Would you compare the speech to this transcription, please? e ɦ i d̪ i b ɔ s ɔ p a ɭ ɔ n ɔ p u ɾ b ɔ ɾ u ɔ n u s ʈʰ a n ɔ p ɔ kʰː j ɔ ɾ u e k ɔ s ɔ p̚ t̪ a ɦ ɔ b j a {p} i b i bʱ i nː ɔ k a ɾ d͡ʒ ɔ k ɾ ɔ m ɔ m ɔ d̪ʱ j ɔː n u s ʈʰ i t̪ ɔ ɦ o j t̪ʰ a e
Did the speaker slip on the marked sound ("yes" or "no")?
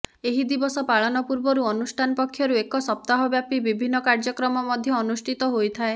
no